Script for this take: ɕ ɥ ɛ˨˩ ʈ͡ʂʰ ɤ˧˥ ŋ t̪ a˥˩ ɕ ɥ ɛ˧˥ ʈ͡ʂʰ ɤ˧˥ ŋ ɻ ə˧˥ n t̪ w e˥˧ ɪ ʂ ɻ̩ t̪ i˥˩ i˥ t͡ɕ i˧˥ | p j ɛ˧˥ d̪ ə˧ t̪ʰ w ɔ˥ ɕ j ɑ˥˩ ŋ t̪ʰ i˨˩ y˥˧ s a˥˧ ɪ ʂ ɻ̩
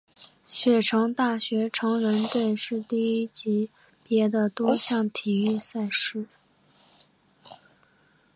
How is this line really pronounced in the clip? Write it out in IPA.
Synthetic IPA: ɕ ɥ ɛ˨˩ ʈ͡ʂʰ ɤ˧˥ ŋ t̪ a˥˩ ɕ ɥ ɛ˧˥ ʈ͡ʂʰ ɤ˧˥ ŋ ɻ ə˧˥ n t̪ w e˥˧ ɪ ʂ ɻ̩ t̪ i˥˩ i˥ t͡ɕ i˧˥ | p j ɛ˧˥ d̪ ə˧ t̪ w ɔ˥ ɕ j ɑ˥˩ ŋ t̪ʰ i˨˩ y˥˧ s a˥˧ ɪ ʂ ɻ̩